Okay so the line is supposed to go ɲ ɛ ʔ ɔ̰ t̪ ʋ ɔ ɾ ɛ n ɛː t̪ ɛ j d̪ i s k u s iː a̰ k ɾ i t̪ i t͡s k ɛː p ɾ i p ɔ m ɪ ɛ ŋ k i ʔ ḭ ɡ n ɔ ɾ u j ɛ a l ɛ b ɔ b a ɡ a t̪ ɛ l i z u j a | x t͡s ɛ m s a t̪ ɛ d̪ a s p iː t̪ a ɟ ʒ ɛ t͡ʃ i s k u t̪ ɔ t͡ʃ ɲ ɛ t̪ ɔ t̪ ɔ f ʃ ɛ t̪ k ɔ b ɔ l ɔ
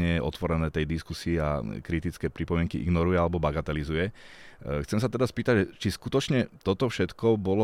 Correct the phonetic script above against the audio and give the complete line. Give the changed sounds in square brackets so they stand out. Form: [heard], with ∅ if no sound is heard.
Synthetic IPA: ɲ ɛ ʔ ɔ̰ t̪ ʋ ɔ ɾ ɛ n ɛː t̪ ɛ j d̪ i s k u s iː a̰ k ɾ i t̪ i t͡s k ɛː p ɾ i p ɔ m ɪ ɛ ŋ k i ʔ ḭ ɡ n ɔ ɾ u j ɛ a l ɛ b ɔ b a ɡ a t̪ ɛ l i z u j [ɛ] | x t͡s ɛ m s a t̪ ɛ d̪ a s p iː t̪ a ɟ ʒ ɛ t͡ʃ i s k u t̪ ɔ t͡ʃ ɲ ɛ t̪ ɔ t̪ ɔ f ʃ ɛ t̪ k ɔ b ɔ l ɔ